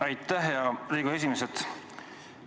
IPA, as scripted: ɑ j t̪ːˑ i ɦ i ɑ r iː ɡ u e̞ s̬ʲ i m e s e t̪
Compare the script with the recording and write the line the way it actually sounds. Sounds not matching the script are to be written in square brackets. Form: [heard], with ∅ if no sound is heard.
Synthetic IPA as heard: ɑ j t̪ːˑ [æ] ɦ [j] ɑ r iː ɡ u e̞ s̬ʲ i m e s e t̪